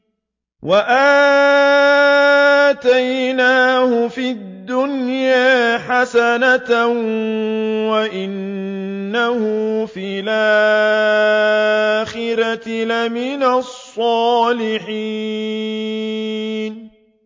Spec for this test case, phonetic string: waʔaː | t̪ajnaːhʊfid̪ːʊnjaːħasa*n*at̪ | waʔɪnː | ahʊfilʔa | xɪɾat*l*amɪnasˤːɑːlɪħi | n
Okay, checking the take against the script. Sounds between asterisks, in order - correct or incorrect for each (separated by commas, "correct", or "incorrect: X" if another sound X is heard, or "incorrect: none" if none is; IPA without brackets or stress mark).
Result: correct, correct